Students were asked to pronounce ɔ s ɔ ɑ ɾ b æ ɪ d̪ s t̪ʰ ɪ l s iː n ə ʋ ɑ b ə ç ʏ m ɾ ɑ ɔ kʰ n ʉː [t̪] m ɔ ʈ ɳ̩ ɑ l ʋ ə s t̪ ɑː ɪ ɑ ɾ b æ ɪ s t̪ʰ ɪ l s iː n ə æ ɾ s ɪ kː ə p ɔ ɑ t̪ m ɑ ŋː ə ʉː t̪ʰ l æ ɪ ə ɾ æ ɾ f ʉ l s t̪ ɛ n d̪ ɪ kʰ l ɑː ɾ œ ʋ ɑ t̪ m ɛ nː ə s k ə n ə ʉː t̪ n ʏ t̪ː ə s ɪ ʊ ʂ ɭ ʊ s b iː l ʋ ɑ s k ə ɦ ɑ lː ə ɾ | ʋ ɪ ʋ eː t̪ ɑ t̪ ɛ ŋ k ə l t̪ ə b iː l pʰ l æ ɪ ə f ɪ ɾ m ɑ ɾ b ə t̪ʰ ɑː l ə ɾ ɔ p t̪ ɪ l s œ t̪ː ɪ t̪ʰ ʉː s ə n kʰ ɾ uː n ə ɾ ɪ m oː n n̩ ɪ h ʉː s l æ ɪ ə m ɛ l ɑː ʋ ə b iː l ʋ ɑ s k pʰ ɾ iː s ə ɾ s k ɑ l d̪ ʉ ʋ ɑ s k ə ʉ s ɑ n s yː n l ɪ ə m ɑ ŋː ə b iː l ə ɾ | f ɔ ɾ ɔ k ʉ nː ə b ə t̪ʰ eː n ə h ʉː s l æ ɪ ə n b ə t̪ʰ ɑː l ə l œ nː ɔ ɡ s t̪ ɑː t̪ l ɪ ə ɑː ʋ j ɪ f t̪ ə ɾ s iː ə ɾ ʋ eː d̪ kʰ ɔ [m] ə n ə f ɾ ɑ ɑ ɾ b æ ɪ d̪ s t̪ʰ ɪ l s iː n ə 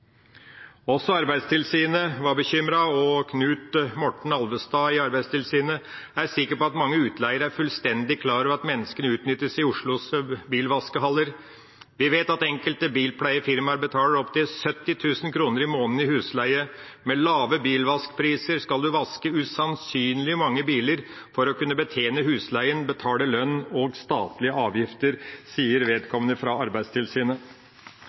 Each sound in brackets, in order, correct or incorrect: correct, correct

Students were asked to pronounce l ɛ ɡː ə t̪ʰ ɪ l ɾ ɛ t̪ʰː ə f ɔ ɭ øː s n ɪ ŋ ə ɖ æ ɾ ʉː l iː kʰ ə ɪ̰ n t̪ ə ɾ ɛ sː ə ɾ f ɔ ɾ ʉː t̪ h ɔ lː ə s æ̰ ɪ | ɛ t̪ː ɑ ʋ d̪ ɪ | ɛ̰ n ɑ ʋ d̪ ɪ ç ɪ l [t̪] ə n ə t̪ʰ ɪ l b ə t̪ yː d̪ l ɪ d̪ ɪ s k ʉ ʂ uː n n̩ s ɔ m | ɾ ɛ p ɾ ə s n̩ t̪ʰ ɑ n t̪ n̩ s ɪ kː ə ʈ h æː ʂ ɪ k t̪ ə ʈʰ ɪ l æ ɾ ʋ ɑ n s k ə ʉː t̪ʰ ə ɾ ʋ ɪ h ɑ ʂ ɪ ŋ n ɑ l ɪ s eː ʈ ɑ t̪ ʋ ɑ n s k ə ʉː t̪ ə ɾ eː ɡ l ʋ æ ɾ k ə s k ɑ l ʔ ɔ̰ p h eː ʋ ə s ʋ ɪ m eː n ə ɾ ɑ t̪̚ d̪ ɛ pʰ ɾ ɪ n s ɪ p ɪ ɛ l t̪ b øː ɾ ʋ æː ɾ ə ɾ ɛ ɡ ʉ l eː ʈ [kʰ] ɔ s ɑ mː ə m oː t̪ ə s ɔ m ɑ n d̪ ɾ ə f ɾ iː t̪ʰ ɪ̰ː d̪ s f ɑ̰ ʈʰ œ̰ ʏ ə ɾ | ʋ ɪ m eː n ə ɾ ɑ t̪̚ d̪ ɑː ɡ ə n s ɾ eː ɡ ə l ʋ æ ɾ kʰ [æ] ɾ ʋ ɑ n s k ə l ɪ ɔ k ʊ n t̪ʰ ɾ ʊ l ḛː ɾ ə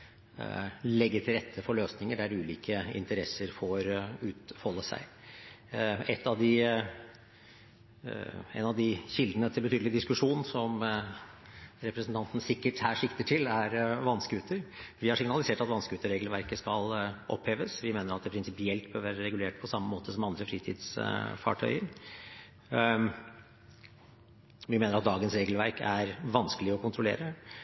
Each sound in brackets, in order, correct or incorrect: incorrect: d̪, incorrect: pʰ, correct

